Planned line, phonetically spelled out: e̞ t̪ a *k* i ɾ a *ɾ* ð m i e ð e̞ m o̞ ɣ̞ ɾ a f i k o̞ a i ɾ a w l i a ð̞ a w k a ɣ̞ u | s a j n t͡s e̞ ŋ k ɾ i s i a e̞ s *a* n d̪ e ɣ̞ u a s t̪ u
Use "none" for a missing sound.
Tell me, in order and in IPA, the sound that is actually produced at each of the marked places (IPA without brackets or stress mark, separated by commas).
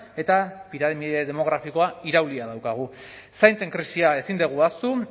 p, none, i